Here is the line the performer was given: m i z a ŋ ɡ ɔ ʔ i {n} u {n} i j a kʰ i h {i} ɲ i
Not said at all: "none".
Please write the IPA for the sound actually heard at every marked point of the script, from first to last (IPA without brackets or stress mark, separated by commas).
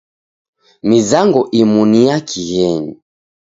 m, n, ɛ